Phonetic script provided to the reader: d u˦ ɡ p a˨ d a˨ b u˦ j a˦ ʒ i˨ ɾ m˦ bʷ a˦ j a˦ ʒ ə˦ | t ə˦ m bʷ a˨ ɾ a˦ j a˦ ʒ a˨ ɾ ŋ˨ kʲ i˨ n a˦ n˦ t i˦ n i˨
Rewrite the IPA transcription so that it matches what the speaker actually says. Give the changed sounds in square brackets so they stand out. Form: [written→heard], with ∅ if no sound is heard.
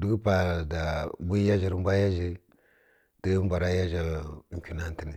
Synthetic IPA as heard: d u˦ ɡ p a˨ d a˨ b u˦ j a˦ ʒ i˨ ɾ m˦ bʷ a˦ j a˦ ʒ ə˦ | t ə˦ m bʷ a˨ ɾ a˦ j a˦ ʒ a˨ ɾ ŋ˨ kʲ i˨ n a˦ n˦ t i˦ n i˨